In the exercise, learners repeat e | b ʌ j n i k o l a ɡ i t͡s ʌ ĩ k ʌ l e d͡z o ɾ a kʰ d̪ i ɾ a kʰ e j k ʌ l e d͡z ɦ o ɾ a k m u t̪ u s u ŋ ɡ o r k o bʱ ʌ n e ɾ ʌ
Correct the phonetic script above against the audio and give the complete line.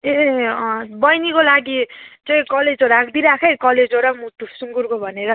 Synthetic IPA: e | b ʌ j n i k o l a ɡ i t͡s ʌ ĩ k ʌ l e d͡z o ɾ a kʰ d̪ i ɾ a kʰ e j k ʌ l e d͡z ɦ o ɾ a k m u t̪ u s u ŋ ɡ u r k o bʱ ʌ n e ɾ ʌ